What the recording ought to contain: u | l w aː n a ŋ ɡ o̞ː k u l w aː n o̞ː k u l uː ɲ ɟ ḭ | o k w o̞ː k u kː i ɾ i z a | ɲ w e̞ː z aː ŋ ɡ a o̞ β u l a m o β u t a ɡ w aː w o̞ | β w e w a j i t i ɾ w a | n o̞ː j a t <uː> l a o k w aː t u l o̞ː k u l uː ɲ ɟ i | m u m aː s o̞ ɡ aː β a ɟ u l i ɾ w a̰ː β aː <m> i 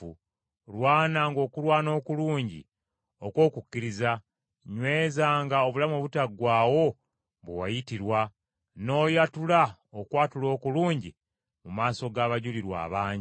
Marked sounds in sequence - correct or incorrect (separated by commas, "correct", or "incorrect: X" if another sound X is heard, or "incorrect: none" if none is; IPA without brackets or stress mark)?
incorrect: u, incorrect: ɲ